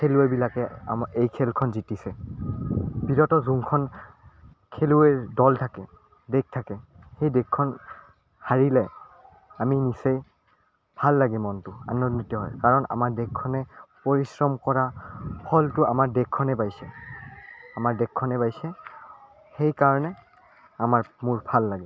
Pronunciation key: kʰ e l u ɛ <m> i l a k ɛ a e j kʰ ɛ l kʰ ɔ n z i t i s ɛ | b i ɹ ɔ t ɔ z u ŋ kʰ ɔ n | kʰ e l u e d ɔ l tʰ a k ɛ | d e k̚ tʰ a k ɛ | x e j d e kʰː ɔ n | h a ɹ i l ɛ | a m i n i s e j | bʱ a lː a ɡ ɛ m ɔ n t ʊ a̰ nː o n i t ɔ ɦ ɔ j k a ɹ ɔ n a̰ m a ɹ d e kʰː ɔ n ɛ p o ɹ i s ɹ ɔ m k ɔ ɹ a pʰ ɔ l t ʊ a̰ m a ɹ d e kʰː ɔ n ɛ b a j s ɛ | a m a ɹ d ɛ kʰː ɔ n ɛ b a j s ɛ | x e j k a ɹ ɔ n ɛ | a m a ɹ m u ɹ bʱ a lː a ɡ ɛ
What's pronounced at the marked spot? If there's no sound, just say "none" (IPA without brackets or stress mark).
b